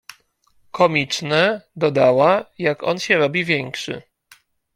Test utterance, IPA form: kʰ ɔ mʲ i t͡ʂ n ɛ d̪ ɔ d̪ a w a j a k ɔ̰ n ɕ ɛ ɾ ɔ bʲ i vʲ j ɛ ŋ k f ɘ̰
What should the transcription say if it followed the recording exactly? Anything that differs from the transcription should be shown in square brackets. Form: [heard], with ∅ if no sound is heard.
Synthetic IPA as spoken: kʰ ɔ mʲ i t͡ʂ n ɛ d̪ ɔ d̪ a w a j a k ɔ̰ n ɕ ɛ ɾ ɔ bʲ i vʲ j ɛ ŋ k [ʂ] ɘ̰